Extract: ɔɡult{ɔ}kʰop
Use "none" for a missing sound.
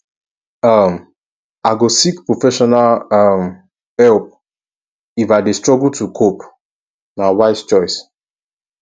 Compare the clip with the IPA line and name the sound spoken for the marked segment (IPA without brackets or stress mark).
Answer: u